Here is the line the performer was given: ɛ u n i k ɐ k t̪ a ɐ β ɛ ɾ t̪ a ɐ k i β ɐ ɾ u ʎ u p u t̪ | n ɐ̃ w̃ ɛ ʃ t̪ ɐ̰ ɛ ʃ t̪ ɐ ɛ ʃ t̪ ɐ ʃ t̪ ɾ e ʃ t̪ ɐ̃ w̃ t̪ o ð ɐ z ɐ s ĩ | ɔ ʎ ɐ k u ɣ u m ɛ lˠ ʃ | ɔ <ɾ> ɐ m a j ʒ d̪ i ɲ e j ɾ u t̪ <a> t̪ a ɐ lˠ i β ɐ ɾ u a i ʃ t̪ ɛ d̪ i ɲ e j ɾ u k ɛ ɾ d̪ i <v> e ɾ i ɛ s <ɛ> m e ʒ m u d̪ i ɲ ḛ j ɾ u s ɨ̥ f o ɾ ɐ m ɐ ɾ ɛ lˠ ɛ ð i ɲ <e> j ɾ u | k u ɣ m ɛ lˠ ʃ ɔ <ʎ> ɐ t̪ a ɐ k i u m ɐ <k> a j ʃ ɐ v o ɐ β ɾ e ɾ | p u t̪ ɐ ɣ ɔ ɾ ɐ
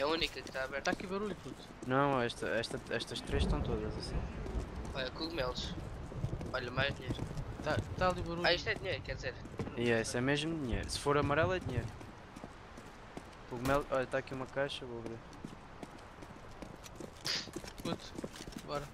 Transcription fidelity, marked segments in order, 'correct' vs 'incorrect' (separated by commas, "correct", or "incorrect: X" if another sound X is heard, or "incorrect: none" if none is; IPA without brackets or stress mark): incorrect: ʎ, correct, incorrect: z, correct, correct, correct, correct